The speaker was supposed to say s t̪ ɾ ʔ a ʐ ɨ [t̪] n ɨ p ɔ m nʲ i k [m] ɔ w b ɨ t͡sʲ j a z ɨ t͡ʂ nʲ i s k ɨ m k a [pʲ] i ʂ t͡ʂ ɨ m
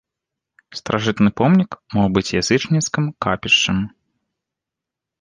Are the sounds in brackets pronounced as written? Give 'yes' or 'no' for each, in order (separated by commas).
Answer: yes, yes, yes